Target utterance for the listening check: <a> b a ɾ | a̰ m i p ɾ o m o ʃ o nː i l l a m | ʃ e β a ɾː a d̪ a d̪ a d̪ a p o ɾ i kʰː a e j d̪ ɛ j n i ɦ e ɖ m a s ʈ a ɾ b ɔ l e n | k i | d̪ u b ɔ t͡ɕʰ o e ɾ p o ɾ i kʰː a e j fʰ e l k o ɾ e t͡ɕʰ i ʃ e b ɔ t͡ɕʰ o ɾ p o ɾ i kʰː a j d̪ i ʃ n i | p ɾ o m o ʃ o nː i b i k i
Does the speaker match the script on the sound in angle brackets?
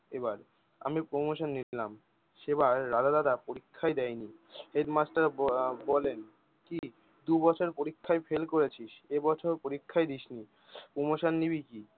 no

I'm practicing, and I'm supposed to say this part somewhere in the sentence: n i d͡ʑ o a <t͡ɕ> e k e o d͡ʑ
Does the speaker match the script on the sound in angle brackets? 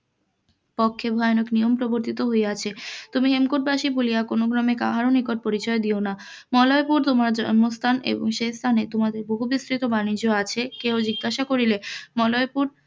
no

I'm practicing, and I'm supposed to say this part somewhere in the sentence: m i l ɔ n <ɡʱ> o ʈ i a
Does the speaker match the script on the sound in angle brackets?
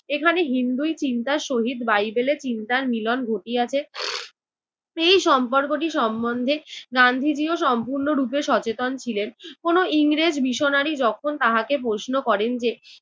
yes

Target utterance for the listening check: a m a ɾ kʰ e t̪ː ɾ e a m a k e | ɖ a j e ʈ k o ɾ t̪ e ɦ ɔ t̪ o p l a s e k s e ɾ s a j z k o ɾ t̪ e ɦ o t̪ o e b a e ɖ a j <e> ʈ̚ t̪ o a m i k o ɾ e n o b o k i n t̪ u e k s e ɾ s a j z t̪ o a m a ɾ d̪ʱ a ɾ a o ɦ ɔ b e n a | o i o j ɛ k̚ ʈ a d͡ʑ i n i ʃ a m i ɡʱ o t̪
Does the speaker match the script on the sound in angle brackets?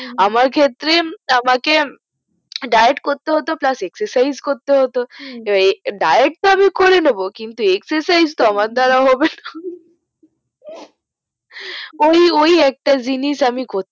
yes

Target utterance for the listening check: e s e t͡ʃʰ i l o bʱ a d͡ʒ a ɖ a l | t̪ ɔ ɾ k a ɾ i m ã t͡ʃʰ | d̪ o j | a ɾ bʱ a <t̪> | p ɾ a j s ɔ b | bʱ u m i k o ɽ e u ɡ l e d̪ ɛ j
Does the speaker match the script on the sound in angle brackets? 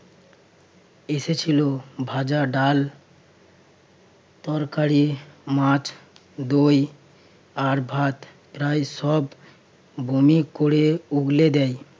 yes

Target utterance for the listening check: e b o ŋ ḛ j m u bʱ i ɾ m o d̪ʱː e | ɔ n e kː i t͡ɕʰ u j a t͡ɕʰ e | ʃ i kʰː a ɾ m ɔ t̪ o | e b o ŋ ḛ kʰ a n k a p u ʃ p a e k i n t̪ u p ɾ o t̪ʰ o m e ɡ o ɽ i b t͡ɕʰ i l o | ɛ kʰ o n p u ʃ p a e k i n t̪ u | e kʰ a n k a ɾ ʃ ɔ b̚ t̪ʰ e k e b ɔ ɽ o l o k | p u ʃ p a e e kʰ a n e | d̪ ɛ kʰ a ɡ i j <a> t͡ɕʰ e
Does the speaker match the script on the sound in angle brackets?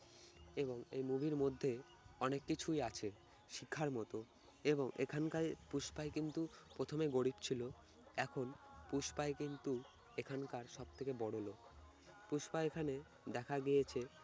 no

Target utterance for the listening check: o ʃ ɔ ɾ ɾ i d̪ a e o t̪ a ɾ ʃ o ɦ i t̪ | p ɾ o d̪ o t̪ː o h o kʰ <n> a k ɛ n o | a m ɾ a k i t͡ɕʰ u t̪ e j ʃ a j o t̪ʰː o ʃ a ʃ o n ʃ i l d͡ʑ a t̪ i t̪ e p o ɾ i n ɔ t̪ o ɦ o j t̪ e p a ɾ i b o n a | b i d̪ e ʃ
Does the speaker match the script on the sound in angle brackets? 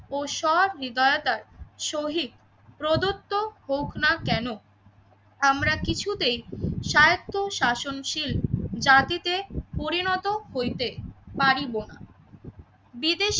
yes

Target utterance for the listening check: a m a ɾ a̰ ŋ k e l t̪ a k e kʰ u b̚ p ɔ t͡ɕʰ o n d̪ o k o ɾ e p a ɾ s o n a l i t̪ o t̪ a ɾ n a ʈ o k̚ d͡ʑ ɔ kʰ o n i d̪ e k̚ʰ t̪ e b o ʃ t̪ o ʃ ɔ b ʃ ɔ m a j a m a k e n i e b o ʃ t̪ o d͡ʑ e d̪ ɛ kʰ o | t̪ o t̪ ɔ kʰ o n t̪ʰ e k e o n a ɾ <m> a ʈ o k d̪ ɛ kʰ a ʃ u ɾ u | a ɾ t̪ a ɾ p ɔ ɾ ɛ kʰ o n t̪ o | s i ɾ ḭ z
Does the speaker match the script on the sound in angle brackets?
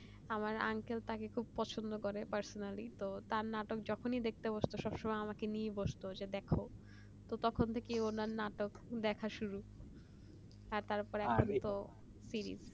no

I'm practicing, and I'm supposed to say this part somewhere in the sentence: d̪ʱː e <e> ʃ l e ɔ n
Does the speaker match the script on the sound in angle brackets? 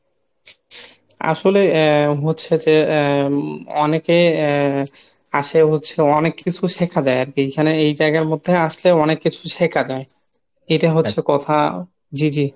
no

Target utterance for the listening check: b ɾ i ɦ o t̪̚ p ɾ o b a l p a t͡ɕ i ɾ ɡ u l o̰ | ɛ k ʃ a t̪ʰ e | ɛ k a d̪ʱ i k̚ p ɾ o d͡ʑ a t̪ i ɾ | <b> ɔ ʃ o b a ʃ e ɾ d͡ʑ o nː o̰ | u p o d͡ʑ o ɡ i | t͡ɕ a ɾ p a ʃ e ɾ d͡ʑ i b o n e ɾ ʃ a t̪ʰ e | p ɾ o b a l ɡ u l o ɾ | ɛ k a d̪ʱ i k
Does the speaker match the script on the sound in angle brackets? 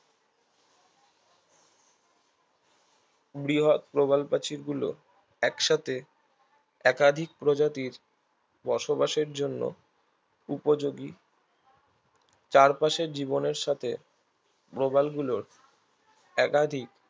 yes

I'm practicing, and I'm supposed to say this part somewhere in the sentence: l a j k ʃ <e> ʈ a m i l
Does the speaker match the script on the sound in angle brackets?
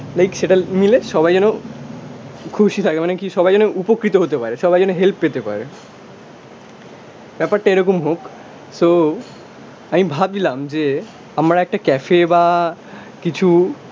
yes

